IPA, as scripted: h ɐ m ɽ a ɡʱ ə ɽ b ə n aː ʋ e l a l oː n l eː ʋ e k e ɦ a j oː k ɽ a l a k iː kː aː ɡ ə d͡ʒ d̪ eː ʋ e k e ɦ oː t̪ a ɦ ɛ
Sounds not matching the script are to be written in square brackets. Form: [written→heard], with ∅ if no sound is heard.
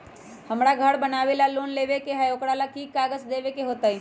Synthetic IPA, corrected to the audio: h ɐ m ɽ a ɡʱ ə ɽ b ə n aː ʋ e l a l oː n l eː ʋ e k e ɦ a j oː k ɽ a l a k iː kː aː ɡ ə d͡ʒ d̪ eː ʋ e k e ɦ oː t̪ a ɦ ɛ